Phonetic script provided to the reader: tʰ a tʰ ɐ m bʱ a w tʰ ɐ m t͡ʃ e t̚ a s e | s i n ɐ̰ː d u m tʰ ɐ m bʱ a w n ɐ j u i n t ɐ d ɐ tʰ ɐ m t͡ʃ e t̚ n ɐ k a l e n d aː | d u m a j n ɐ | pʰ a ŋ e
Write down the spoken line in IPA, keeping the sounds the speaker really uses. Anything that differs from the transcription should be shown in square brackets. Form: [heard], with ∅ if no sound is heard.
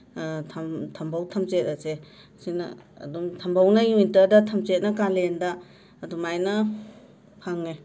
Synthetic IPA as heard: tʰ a tʰ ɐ m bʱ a w tʰ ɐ m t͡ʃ e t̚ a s e | s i n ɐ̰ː d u m tʰ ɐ m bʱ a w n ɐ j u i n t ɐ d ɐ tʰ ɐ m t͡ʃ e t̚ n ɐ k a l e n d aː | d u m a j n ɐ | pʰ a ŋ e